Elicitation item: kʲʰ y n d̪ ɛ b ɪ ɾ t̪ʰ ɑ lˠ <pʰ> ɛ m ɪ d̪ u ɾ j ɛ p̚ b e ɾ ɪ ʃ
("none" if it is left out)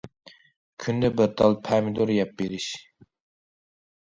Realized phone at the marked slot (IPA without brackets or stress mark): pʰ